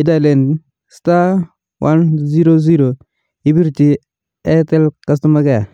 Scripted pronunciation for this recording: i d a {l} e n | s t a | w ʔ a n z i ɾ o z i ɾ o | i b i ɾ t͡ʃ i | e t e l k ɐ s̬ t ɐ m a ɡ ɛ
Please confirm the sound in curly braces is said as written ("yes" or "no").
yes